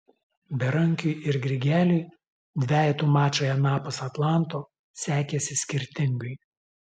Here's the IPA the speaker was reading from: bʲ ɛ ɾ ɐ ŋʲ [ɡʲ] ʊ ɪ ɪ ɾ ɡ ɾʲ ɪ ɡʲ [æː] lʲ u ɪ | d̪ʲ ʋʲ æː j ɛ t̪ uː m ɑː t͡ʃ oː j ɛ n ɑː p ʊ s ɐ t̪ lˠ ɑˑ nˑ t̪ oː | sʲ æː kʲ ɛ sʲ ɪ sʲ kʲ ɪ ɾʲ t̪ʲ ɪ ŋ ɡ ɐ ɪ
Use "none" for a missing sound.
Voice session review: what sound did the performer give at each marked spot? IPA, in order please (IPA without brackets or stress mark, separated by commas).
kʲ, æː